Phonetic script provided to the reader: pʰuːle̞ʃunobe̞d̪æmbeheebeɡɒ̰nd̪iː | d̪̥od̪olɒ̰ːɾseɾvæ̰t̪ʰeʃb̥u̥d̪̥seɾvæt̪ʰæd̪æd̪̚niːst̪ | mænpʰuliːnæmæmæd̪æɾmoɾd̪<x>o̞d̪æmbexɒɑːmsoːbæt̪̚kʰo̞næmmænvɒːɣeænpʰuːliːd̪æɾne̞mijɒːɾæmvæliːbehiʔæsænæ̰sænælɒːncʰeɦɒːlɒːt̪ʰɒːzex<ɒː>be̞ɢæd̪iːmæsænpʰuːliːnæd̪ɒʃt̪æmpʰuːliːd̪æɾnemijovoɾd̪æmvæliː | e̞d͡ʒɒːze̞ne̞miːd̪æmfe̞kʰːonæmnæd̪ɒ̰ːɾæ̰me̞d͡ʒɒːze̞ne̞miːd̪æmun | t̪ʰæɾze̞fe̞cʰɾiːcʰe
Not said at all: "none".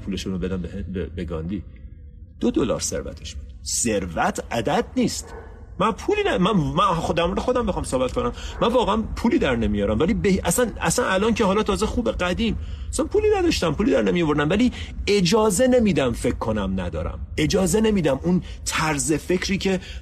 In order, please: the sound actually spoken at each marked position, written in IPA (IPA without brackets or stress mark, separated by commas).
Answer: x, uː